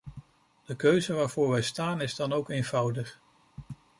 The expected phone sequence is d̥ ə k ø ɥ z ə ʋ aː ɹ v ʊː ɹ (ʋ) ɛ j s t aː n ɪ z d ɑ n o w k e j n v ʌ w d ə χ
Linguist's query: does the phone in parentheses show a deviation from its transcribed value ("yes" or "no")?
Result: no